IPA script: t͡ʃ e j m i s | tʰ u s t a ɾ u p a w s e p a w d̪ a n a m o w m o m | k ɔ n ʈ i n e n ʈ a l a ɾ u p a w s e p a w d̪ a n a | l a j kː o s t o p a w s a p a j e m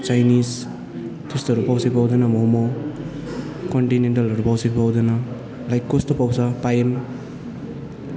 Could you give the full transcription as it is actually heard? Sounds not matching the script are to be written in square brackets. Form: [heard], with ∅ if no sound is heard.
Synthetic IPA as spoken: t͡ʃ [a] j [n] i s | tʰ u s t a ɾ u p a w s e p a w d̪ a n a m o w m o [∅] | k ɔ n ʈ i n e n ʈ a l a ɾ u p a w s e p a w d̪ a n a | l a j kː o s t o p a w s a p a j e m